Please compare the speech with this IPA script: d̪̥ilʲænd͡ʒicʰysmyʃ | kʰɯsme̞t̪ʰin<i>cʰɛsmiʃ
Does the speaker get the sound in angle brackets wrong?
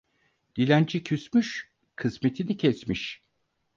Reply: no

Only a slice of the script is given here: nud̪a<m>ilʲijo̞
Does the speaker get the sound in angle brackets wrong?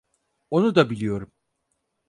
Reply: yes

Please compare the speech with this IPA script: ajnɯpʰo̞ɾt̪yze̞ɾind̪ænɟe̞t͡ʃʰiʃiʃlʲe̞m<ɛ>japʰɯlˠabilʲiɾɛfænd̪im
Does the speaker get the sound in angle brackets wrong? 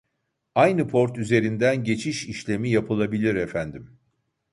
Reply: yes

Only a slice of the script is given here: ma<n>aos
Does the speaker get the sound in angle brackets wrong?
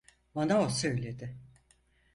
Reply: no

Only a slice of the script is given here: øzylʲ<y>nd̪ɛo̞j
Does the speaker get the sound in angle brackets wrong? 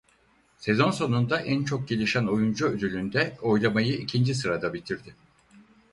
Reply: no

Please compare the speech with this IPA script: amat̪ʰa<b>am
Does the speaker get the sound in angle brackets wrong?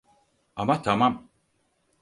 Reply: yes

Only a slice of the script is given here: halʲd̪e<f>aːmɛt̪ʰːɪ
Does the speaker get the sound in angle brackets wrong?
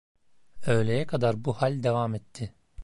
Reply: yes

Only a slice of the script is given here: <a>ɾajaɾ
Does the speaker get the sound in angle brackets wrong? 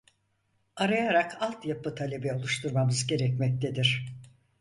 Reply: no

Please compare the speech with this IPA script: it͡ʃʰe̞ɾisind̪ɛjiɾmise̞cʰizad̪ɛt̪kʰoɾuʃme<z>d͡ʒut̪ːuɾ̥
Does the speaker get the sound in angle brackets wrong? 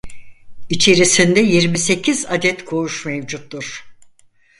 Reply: yes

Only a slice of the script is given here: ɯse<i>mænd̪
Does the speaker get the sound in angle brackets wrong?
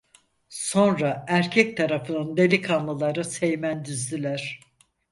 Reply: yes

